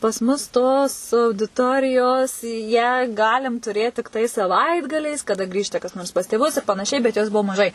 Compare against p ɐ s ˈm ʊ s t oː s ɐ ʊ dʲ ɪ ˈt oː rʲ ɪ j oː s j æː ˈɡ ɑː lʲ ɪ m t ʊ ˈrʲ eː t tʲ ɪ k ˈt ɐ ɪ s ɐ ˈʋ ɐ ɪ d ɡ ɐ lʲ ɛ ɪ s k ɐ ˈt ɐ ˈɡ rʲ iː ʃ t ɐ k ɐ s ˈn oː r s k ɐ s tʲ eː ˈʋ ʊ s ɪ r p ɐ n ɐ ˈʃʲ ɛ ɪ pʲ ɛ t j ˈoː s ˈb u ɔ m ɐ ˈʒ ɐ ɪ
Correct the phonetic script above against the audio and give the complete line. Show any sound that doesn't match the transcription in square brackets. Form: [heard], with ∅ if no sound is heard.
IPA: p ɐ s ˈm ʊ s t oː s ɐ ʊ dʲ ɪ ˈt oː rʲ ɪ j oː s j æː ˈɡ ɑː lʲ ɪ m t ʊ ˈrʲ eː t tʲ ɪ k ˈt ɐ ɪ s ɐ ˈʋ ɐ ɪ d ɡ ɐ lʲ ɛ ɪ s k ɐ [ˈd] ɐ ˈɡ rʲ iː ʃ t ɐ k ɐ s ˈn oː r s [p] ɐ s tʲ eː ˈʋ ʊ s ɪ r p ɐ n ɐ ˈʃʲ ɛ ɪ [bʲ] ɛ t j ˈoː s ˈb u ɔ m ɐ ˈʒ ɐ ɪ